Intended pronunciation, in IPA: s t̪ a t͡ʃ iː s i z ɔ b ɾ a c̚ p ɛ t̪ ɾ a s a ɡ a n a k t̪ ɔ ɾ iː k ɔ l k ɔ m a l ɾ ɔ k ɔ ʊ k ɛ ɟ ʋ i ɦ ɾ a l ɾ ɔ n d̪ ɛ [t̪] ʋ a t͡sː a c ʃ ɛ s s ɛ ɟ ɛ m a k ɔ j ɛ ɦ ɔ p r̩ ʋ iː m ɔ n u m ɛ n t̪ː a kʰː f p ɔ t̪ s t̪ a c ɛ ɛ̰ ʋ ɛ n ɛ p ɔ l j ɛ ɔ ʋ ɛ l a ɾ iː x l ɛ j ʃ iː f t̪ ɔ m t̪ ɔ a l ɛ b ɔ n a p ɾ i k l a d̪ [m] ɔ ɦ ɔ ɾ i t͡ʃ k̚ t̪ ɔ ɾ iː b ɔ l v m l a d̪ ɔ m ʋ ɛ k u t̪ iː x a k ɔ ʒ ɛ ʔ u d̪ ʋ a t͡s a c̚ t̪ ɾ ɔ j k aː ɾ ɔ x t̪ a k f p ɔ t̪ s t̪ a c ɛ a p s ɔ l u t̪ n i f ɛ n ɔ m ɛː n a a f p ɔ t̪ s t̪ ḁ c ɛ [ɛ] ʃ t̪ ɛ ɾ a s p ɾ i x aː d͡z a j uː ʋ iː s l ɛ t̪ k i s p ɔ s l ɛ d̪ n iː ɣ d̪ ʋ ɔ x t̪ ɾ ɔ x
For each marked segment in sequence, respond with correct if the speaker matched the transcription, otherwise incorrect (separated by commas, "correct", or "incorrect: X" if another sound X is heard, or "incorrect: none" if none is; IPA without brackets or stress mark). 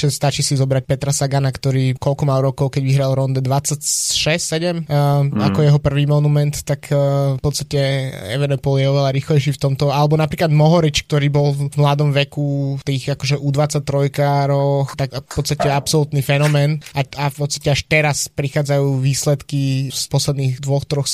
incorrect: d̪, correct, incorrect: a